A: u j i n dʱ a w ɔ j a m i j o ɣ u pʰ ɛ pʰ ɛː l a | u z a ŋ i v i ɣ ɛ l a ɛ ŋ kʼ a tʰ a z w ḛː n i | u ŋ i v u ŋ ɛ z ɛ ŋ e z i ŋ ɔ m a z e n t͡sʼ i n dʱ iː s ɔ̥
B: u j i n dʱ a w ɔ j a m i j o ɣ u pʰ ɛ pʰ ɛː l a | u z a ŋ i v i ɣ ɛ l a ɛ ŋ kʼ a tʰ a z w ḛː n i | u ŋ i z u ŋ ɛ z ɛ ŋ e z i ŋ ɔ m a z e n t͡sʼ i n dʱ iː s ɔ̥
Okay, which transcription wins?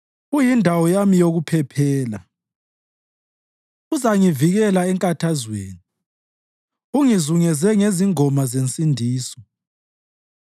B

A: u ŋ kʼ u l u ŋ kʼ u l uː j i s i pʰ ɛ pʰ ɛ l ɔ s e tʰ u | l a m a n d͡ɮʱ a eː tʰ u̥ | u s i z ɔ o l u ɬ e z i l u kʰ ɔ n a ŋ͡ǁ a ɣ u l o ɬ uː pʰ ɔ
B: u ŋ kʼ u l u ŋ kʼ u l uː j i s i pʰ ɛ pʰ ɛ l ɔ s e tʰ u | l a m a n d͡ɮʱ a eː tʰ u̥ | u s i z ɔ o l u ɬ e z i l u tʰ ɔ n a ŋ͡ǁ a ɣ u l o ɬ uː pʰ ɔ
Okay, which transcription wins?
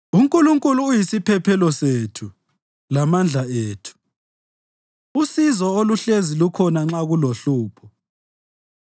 A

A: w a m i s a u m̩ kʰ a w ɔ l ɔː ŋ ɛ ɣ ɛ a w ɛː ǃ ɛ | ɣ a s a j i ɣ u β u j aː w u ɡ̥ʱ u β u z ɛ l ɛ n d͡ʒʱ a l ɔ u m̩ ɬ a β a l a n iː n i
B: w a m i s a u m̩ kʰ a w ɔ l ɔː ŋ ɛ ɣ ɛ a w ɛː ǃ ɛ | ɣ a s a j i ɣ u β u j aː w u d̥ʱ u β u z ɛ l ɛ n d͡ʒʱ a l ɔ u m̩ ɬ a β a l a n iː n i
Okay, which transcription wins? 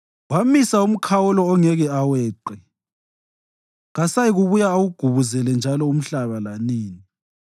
A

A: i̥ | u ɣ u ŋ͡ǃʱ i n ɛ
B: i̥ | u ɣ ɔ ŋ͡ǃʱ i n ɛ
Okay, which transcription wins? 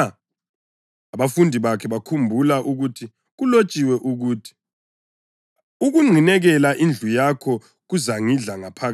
A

